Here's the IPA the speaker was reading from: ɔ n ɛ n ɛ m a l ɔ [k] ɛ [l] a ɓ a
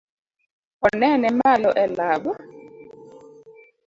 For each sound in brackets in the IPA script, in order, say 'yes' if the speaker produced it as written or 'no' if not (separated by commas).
no, yes